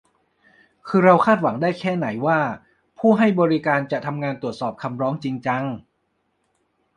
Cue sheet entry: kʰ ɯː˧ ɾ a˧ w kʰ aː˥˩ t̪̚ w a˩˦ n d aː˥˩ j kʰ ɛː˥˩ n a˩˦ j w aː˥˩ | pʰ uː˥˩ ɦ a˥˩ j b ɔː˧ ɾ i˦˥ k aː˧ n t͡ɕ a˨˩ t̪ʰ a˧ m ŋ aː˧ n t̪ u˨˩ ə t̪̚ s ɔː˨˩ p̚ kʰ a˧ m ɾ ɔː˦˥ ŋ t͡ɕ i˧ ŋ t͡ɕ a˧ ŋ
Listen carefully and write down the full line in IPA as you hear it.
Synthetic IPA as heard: kʰ ɯː˧ ɾ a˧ w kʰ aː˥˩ t̪̚ w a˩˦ ŋ d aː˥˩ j kʰ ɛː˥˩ n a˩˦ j w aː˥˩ | pʰ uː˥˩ ɦ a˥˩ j b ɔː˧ ɾ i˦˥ k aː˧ n t͡ɕ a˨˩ t̪ʰ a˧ m ŋ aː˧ n t̪ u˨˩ ə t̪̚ s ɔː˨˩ p̚ kʰ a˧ m ɾ ɔː˦˥ ŋ t͡ɕ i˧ ŋ t͡ɕ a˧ ŋ